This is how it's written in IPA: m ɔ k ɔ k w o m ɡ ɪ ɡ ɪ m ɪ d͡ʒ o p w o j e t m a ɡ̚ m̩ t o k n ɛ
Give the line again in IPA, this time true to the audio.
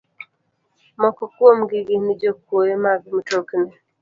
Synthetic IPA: m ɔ k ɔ k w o m ɡ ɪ ɡ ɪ n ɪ d͡ʒ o k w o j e m a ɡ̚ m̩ t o k n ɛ